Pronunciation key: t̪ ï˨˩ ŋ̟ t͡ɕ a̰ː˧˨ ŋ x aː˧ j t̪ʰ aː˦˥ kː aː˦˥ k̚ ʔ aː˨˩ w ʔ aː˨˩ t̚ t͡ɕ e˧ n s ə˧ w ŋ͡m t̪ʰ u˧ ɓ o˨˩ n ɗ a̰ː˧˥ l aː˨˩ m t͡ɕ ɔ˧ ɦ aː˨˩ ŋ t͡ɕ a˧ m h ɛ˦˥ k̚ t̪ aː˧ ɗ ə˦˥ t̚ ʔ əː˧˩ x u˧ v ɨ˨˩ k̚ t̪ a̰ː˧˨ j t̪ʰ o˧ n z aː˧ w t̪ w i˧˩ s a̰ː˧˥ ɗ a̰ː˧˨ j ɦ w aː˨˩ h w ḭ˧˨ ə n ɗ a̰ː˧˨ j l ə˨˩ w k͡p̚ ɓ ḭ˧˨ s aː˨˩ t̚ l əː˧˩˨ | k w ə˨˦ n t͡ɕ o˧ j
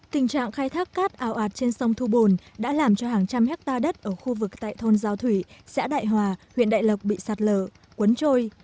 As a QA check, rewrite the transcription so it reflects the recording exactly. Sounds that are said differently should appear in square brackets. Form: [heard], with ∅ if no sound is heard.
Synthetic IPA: t̪ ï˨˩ ŋ̟ t͡ɕ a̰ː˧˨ ŋ x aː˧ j t̪ʰ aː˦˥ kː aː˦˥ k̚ ʔ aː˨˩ w ʔ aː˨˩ t̚ t͡ɕ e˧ n s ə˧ w ŋ͡m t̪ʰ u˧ ɓ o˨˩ n ɗ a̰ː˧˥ l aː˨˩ m t͡ɕ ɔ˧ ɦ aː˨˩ ŋ t͡ɕ a˧ m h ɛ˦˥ k̚ t̪ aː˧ ɗ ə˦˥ t̚ ʔ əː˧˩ x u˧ v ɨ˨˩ k̚ t̪ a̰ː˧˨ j t̪ʰ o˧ n z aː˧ w [t̪ʰ] w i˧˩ s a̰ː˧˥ ɗ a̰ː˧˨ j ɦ w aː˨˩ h w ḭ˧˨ ə n ɗ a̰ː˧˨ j l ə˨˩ w k͡p̚ ɓ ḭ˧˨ s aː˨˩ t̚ l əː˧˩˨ | k w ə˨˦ n t͡ɕ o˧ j